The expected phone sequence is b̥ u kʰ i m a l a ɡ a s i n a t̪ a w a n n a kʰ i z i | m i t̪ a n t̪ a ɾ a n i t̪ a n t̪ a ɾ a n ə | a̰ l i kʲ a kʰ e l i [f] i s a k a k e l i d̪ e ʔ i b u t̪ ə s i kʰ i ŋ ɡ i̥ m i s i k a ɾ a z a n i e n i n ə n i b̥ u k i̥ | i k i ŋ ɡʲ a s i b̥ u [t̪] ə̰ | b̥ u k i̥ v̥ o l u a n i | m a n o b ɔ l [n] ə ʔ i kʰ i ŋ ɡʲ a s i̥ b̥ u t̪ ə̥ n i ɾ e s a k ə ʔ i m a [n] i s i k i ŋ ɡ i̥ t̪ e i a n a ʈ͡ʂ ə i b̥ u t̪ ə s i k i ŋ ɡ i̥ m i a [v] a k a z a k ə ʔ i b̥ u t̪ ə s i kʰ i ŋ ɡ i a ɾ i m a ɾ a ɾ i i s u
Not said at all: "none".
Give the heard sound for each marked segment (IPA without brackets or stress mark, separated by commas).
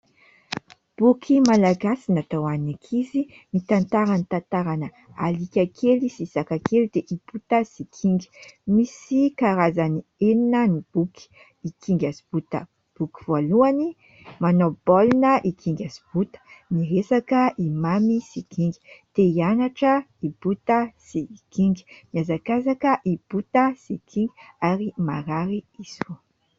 s, t̪, n, m, z